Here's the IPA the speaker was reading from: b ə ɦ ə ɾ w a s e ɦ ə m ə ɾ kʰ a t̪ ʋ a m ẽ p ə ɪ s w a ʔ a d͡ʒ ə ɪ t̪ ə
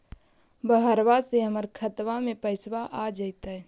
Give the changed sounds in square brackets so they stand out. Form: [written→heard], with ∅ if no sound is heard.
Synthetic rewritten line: b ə ɦ ə ɾ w a s e ɦ ə m ə ɾ kʰ [a→ə] t̪ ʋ a m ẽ p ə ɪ s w a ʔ a d͡ʒ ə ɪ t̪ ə